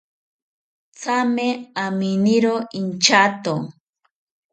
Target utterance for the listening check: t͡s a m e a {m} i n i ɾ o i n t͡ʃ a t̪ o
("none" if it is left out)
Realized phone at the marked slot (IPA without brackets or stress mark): m